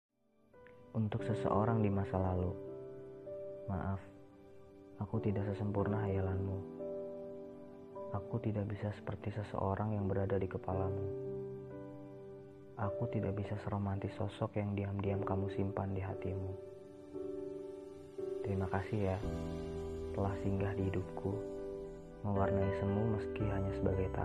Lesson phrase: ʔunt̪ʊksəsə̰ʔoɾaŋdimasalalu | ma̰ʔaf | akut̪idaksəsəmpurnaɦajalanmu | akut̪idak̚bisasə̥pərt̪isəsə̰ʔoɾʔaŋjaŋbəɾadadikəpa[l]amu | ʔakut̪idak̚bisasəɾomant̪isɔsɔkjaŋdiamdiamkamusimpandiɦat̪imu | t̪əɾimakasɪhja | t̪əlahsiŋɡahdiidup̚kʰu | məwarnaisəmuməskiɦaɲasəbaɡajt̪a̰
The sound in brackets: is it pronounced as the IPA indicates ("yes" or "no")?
yes